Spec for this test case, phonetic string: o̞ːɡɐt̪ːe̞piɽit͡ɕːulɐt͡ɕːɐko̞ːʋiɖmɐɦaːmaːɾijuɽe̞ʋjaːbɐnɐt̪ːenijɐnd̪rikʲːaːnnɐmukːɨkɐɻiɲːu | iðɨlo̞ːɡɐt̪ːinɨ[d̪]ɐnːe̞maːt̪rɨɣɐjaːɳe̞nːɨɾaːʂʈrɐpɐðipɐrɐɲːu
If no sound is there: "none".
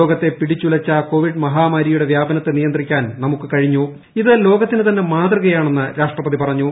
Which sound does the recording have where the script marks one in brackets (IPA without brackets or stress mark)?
t̪